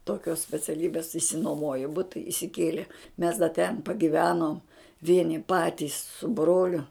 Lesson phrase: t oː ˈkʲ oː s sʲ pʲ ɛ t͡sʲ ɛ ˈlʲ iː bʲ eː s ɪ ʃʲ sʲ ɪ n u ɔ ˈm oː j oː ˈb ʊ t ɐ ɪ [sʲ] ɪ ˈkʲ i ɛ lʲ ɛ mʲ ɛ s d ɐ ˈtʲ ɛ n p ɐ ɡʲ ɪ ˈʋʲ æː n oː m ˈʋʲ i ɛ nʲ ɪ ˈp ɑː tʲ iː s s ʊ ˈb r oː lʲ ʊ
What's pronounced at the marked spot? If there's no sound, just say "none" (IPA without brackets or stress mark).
sʲ